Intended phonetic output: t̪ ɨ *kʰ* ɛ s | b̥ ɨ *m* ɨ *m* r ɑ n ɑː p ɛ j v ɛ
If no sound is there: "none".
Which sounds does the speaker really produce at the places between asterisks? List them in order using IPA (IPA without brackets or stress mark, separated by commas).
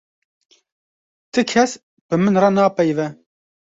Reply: kʰ, m, n